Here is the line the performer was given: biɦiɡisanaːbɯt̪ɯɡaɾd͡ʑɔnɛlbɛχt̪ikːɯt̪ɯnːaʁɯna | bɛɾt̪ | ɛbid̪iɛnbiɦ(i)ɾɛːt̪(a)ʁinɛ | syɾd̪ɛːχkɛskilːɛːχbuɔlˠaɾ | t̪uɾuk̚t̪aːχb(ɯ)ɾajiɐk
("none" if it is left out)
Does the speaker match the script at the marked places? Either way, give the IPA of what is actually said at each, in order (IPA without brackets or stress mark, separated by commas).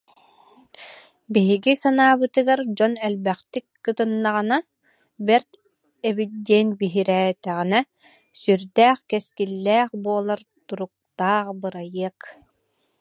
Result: i, ɛ, ɯ